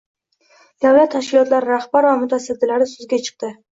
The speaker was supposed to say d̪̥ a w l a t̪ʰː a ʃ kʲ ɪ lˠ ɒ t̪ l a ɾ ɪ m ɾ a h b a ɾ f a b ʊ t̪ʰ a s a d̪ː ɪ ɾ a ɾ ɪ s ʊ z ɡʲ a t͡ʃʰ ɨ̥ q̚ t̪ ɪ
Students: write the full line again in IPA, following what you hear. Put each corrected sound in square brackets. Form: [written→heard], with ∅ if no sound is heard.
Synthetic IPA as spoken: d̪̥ a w l a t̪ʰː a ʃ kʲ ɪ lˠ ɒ t̪ l a ɾ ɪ [m→∅] ɾ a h b a ɾ [f→v] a [b→m] ʊ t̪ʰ a s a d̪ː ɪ [ɾ→l] a ɾ ɪ s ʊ z ɡʲ a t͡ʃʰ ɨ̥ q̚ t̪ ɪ